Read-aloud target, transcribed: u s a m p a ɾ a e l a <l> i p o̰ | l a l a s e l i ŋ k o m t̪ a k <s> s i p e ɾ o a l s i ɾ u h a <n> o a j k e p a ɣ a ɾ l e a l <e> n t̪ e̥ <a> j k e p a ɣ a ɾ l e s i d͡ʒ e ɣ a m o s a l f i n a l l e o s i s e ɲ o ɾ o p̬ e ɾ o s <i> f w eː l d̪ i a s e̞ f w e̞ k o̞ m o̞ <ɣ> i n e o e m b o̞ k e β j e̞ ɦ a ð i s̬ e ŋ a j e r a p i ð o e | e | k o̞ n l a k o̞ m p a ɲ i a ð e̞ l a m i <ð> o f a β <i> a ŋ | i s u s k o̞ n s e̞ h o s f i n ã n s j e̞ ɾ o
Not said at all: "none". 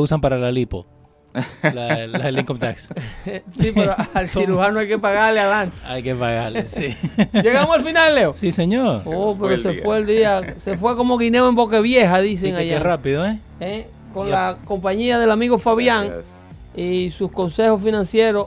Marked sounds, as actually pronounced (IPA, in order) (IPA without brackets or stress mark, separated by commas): l, s, n, a, a, e, ɣ, ɣ, j